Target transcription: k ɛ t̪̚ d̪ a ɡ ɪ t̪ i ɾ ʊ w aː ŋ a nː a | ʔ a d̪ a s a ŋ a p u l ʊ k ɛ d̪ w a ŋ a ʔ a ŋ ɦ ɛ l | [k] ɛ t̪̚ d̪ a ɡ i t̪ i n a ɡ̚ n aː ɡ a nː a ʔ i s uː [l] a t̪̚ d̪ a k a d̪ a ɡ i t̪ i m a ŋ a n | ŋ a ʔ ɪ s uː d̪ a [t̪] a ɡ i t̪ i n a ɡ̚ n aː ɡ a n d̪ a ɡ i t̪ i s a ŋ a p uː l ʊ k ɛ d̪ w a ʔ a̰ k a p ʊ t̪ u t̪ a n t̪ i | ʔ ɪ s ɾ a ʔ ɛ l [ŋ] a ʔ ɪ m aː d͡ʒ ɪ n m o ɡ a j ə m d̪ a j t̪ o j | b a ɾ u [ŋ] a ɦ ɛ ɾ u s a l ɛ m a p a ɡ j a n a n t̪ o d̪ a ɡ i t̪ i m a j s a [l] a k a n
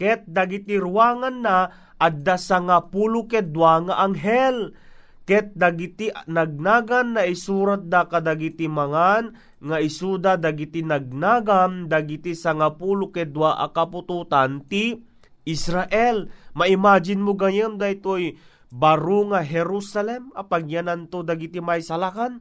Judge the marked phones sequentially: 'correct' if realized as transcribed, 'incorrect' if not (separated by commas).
correct, incorrect, incorrect, incorrect, correct, correct